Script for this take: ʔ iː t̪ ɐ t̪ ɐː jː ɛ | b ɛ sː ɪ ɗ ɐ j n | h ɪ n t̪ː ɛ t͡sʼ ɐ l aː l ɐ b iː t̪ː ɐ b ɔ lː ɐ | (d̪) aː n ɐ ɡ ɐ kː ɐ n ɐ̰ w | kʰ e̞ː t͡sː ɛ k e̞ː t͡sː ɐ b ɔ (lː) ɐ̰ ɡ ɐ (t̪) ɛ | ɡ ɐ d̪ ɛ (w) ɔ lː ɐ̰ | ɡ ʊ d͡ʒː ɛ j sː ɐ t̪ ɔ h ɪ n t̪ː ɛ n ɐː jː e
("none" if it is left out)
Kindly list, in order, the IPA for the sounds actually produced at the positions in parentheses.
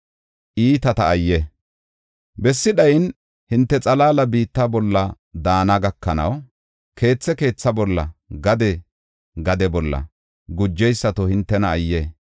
d̪, lː, d̪, b

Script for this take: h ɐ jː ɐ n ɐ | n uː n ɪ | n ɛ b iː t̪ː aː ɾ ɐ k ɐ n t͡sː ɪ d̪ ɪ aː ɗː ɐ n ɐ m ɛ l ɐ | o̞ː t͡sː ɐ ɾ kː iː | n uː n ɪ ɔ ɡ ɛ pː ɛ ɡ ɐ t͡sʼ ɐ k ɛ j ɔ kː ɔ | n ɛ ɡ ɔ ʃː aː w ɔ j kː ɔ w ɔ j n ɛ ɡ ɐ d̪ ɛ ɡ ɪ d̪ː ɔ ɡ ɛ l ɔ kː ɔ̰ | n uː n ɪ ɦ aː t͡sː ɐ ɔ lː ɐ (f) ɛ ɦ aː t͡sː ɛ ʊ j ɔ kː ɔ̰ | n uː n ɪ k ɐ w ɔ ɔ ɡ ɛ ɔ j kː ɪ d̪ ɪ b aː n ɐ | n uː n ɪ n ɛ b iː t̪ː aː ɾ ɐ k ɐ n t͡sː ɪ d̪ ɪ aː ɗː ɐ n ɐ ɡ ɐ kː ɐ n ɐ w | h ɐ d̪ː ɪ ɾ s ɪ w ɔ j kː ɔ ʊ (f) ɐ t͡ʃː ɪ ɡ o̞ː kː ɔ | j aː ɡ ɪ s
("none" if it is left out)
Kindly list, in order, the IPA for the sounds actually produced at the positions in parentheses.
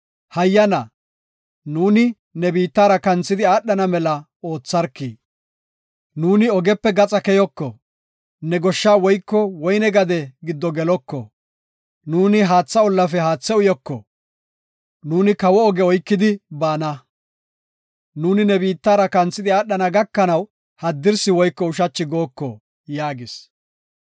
f, ʃ

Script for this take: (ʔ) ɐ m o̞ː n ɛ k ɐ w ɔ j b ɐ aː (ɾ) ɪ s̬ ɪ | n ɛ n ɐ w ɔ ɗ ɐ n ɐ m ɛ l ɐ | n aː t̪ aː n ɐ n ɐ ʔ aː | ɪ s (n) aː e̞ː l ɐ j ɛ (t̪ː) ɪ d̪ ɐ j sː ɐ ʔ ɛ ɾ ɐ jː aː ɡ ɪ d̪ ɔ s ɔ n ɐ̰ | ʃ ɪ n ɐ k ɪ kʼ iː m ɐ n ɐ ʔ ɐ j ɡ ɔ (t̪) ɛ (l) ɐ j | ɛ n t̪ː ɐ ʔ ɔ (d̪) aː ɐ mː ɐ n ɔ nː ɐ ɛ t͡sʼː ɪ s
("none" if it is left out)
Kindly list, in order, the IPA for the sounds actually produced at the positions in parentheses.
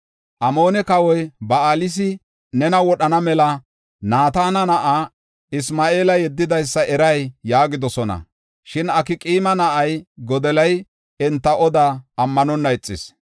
ʔ, l, m, d̪ː, d̪, l, d̪

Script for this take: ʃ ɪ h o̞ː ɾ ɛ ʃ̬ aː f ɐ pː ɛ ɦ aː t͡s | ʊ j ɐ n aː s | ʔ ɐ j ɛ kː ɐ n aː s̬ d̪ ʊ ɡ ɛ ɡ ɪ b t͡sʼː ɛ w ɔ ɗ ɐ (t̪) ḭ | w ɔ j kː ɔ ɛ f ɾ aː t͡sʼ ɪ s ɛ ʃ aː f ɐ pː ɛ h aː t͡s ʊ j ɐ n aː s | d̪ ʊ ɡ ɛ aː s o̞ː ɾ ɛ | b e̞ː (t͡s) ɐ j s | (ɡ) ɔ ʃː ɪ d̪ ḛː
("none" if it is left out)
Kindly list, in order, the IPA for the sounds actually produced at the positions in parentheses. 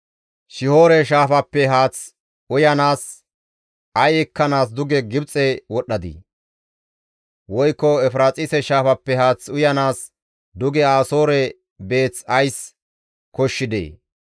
d̪, t͡s, k

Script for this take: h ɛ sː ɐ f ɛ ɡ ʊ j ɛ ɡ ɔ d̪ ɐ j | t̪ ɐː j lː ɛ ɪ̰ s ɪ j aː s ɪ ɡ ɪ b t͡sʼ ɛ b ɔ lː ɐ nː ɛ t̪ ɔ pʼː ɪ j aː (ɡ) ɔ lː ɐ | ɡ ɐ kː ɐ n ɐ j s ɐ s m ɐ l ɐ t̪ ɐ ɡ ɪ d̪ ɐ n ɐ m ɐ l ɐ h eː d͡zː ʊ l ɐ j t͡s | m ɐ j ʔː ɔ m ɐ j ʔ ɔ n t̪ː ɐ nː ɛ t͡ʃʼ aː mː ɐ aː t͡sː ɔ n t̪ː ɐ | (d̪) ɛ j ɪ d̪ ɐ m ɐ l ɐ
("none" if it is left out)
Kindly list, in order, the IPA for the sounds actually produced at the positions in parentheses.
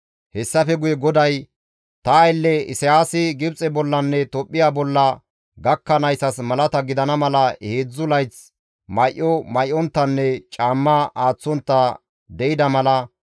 b, d̪

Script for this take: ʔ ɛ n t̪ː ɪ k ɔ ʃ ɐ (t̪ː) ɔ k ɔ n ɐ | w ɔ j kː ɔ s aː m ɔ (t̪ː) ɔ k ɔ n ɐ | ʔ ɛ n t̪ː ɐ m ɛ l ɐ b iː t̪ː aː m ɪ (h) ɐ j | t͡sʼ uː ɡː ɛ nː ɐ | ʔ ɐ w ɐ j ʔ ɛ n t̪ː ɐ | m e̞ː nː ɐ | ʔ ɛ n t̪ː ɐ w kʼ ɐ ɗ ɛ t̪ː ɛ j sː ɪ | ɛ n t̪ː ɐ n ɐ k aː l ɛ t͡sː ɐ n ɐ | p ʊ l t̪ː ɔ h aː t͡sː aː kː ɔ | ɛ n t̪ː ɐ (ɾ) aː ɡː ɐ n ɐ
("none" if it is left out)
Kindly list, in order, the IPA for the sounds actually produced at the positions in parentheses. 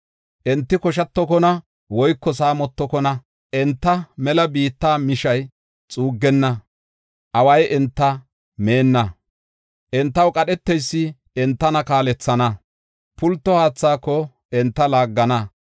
t̪ː, t̪ː, ʃ, l

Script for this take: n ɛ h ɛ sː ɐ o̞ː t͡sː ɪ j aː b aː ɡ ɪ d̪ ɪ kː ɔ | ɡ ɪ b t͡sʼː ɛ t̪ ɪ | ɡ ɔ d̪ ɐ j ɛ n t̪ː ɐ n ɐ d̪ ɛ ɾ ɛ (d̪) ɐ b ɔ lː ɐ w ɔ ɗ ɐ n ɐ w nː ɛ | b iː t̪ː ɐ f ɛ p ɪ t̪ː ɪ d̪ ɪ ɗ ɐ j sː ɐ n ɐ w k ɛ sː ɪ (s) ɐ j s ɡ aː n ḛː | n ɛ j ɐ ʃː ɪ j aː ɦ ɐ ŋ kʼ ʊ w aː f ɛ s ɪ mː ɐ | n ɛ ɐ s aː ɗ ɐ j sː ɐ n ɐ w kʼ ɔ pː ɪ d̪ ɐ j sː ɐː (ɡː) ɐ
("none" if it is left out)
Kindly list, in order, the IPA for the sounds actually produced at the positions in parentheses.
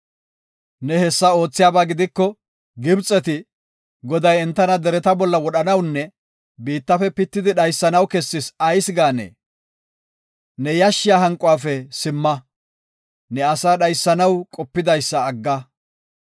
t̪, s, ɡː

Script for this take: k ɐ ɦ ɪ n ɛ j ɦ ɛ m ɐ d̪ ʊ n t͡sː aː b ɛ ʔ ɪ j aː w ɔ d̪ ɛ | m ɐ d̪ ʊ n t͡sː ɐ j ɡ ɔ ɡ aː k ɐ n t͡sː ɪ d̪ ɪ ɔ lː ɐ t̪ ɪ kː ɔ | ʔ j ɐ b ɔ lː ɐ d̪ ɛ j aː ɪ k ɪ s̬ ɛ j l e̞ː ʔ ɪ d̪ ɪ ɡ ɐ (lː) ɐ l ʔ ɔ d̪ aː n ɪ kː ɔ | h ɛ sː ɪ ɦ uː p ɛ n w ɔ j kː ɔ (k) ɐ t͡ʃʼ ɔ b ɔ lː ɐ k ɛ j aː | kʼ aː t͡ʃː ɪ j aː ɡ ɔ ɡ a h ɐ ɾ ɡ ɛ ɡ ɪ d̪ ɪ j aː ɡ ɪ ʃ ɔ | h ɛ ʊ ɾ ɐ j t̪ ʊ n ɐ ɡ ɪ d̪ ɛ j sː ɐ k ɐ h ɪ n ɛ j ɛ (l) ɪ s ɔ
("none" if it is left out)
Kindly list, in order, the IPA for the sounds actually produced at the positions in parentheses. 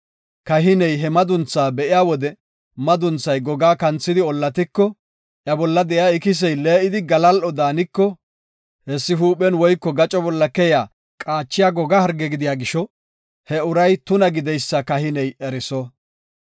l, ɡ, ɾ

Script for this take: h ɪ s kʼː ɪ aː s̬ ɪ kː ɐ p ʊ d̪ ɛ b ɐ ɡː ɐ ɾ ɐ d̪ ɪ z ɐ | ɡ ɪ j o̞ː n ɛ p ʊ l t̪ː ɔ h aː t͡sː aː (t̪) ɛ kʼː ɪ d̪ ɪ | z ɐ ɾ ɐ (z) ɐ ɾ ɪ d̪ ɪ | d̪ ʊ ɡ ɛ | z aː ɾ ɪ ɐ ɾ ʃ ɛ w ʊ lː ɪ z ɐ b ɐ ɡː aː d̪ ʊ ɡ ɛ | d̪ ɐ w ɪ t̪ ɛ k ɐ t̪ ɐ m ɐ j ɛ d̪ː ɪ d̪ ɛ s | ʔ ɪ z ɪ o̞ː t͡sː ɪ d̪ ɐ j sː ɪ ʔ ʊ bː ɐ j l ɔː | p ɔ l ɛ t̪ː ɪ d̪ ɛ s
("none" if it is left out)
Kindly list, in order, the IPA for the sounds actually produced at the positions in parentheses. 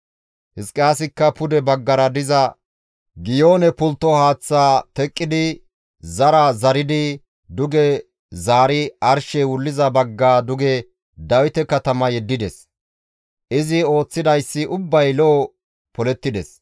t̪, z

